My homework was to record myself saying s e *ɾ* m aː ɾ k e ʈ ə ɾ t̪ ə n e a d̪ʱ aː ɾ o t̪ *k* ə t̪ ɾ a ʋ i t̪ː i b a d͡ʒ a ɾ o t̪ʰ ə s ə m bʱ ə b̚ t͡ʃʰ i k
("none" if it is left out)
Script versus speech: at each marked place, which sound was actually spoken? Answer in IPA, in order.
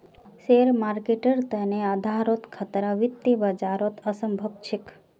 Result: ɾ, kʰ

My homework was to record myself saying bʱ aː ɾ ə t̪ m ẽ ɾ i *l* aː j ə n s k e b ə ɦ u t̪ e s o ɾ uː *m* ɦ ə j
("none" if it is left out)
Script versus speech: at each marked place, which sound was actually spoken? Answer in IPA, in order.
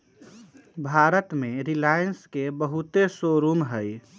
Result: l, m

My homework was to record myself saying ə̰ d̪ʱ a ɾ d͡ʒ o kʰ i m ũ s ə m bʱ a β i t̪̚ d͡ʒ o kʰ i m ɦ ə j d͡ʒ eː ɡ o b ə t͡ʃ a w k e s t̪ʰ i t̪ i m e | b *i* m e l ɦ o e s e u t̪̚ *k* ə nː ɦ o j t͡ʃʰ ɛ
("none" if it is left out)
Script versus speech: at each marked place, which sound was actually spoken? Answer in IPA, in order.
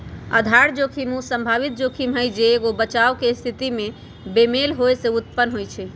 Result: e, p

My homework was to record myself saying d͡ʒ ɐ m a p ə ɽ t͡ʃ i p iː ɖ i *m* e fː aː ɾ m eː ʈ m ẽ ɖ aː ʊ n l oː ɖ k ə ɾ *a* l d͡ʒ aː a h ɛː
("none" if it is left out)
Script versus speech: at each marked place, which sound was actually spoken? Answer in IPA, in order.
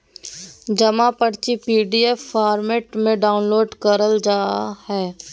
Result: none, ə

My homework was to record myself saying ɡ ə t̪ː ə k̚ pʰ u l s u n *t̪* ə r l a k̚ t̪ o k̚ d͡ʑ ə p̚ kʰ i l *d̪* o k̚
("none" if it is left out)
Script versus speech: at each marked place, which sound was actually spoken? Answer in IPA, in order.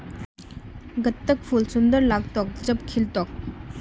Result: d̪, t̪

